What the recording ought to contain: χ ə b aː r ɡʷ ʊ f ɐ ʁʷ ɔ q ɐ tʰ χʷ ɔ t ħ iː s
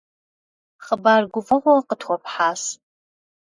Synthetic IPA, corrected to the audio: χ ə b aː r ɡʷ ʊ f ɐ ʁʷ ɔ q ə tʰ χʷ ɔ p ħ aː s